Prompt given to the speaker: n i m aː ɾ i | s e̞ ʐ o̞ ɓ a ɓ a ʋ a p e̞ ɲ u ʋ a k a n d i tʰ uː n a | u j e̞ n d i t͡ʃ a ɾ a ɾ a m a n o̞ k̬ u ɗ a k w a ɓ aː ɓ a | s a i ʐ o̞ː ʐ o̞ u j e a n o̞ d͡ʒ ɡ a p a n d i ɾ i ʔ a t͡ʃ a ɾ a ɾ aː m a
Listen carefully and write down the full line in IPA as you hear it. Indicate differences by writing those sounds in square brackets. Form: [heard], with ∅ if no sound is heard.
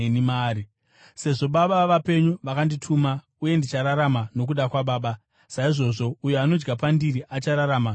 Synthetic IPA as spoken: n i m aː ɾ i | s e̞ ʐ o̞ ɓ a ɓ a ʋ a p e̞ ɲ u ʋ a k a n d i tʰ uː [m] a | u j e̞ n d i t͡ʃ a ɾ a ɾ a m a n o̞ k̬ u ɗ a k w a ɓ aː ɓ a | s a i ʐ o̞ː ʐ o̞ u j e a n o̞ d͡ʒ ɡ a p a n d i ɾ i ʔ a t͡ʃ a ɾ a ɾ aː m a